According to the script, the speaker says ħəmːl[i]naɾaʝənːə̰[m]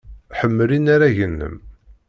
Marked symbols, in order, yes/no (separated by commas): yes, yes